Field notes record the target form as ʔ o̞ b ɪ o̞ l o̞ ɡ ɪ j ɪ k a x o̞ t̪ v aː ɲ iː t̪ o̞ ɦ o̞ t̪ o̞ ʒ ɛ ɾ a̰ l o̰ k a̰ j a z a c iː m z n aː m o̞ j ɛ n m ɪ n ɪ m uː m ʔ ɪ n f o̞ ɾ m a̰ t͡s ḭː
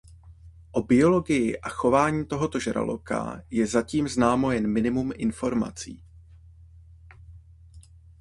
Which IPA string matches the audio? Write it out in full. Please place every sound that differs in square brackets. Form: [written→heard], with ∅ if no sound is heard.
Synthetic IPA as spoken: ʔ o̞ b ɪ o̞ l o̞ ɡ ɪ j ɪ [k→ʔ] a x o̞ [t̪→∅] v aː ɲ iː t̪ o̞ ɦ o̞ t̪ o̞ ʒ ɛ ɾ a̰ l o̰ k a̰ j [a→ɛ] z a c iː m z n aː m o̞ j ɛ n m ɪ n ɪ m [uː→u] m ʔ ɪ n f o̞ ɾ m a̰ t͡s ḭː